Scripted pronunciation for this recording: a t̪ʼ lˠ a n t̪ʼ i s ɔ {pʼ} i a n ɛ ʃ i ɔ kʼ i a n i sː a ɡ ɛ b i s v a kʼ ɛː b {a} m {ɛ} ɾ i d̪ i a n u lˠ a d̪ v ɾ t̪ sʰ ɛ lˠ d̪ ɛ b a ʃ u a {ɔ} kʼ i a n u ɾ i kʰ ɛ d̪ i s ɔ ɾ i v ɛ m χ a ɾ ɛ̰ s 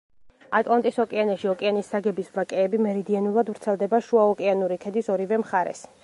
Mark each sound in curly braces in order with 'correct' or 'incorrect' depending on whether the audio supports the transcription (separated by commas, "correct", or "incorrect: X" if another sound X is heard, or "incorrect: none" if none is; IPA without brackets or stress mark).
incorrect: kʼ, incorrect: i, correct, correct